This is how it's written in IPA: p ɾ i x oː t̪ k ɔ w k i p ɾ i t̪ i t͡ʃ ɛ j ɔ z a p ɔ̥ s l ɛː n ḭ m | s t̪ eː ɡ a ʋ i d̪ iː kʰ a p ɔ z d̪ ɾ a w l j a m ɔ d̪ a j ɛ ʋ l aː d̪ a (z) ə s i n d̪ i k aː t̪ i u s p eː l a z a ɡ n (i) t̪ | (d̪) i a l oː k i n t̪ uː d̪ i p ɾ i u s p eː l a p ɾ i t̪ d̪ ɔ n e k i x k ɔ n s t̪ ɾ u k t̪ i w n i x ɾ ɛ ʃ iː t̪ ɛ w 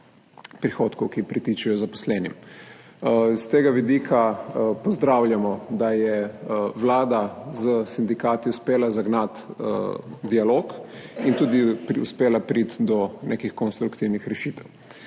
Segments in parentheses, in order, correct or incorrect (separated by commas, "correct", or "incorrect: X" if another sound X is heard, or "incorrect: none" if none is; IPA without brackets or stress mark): correct, incorrect: a, correct